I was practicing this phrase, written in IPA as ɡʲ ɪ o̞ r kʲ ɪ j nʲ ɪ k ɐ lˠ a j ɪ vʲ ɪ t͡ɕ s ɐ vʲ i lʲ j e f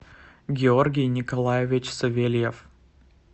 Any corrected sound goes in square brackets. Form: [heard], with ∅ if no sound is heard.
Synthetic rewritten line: ɡʲ ɪ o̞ r [ɡʲ] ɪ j nʲ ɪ k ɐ lˠ a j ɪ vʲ ɪ t͡ɕ s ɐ vʲ [e] lʲ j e f